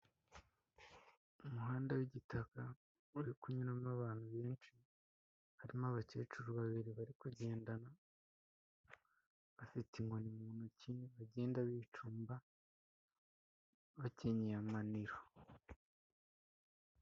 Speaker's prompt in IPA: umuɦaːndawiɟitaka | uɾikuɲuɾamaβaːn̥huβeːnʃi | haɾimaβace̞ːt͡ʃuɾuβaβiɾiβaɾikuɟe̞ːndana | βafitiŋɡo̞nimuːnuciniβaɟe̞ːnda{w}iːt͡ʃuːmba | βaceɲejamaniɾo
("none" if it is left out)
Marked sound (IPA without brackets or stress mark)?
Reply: β